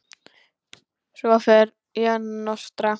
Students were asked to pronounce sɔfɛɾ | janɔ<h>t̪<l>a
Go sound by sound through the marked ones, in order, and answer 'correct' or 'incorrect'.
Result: incorrect, incorrect

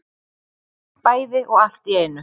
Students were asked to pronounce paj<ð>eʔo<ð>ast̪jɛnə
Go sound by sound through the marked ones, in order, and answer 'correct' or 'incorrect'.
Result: correct, incorrect

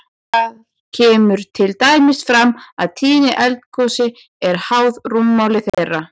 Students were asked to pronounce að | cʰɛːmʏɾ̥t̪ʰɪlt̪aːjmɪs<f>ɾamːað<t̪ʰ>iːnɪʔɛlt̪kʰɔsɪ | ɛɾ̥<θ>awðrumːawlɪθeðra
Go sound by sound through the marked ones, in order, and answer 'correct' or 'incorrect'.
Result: correct, correct, incorrect

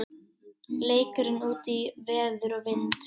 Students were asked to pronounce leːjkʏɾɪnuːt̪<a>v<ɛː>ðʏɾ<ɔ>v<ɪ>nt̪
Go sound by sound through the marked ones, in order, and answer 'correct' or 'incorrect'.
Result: incorrect, correct, correct, correct

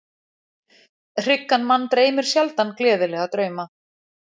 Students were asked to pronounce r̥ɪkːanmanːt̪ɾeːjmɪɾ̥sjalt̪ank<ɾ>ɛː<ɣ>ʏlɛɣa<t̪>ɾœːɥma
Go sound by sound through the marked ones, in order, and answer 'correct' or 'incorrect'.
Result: incorrect, incorrect, correct

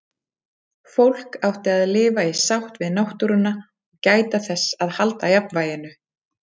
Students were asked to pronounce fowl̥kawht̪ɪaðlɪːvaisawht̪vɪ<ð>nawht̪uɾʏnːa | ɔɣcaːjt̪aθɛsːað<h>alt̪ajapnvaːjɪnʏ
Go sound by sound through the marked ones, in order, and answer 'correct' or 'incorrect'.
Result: correct, correct

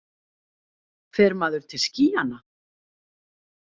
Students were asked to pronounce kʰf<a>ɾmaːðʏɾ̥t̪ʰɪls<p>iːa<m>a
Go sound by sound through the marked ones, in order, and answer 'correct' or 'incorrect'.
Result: incorrect, incorrect, incorrect

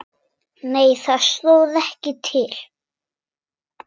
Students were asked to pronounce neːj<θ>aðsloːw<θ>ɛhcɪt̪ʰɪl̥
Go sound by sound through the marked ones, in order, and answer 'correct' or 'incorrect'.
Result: correct, incorrect

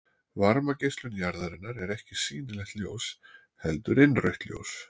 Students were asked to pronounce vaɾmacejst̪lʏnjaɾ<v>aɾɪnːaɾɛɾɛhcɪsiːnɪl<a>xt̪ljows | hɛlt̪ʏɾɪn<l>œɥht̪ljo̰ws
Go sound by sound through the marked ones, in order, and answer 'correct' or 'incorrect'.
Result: incorrect, incorrect, incorrect

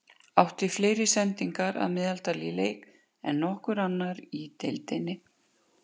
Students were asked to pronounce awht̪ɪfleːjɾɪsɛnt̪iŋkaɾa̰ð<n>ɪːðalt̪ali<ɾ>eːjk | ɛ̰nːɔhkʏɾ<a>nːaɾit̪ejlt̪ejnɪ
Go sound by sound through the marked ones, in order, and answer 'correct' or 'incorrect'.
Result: incorrect, incorrect, correct

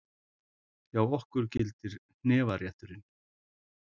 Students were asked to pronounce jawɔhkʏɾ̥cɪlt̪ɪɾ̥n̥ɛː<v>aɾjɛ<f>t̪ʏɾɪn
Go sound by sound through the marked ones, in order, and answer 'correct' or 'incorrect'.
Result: correct, incorrect

